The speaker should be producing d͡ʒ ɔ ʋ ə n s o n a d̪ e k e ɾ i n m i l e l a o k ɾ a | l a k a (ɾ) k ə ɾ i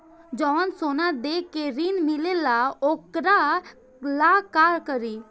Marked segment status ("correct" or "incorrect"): correct